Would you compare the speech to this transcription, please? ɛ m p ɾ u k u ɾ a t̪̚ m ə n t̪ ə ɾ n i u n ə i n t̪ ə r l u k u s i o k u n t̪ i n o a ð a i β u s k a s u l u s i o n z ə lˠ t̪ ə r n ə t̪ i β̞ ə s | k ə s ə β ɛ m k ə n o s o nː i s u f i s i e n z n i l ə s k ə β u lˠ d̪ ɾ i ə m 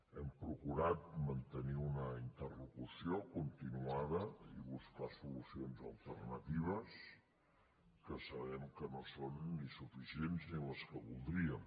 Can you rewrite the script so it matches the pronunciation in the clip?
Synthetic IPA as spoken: ɛ m p ɾ u k u ɾ a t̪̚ m ə n t̪ ə n i u n ə i n t̪ ə r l u k u s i o k u n t̪ i n u a ð ə i β u s k a s u l u s i o n z ə lˠ t̪ ə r n ə t̪ i β̞ ə s | k ə s ə β ɛ m k ə n o s o nː i s u f i s i e n z n i l ə s k ə β u lˠ d̪ ɾ i ə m